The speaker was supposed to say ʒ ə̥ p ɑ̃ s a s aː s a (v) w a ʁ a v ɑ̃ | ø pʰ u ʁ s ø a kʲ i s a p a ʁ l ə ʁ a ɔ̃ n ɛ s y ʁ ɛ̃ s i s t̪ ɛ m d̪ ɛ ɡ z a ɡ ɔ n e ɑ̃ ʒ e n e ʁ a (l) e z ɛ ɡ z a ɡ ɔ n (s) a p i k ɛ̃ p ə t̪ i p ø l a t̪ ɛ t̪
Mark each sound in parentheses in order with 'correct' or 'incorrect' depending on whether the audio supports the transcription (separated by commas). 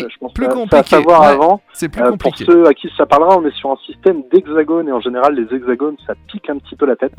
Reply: correct, incorrect, correct